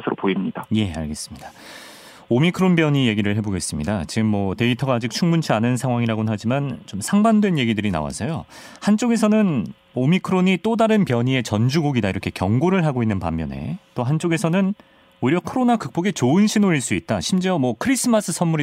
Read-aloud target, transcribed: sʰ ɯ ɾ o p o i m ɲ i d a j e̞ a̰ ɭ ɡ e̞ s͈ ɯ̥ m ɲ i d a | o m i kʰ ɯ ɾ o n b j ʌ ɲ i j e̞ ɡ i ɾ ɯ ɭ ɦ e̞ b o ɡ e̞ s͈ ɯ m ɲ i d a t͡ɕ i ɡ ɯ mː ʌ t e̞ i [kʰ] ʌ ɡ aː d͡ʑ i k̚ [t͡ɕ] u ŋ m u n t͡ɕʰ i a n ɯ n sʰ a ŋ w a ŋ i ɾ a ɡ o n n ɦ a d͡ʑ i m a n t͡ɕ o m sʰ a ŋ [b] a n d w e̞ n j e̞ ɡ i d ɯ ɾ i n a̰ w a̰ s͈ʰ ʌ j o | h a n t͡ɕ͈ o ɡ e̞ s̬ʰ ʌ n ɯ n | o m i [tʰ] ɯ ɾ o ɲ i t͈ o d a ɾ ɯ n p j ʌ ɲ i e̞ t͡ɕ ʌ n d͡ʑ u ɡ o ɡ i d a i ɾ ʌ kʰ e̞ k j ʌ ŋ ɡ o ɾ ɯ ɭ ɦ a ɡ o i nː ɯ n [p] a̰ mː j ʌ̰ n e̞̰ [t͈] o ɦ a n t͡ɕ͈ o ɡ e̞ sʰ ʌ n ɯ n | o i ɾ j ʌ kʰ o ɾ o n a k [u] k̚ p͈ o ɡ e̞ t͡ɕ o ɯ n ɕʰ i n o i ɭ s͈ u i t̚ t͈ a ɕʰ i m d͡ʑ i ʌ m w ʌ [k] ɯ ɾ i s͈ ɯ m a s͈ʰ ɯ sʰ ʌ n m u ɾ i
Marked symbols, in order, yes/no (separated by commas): no, no, yes, no, yes, yes, no, no